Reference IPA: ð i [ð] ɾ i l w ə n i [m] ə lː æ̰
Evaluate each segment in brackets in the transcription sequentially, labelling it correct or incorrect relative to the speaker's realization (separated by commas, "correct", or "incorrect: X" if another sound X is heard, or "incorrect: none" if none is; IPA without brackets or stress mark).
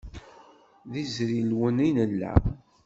incorrect: z, incorrect: n